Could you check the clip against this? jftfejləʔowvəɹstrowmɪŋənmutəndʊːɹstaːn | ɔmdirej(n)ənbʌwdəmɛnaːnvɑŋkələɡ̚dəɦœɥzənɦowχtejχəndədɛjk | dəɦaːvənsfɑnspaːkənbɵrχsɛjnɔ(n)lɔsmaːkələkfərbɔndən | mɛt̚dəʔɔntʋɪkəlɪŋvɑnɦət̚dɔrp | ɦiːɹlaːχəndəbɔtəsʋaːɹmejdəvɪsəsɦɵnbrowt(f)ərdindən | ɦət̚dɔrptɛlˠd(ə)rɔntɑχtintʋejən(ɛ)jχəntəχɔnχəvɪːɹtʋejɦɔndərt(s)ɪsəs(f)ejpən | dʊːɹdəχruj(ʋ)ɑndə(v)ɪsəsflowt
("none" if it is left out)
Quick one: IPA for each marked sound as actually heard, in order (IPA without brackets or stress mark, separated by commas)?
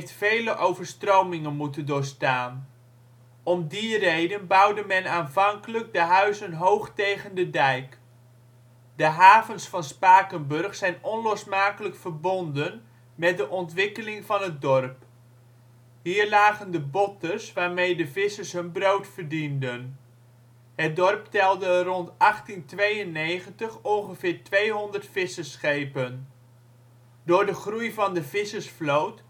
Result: d, n, f, ə, e, f, χ, v, v